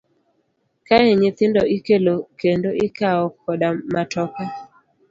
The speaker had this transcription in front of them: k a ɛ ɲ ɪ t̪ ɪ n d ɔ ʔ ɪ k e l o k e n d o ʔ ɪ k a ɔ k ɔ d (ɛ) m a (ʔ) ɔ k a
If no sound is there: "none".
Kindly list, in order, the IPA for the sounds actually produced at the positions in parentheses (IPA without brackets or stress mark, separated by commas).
a, t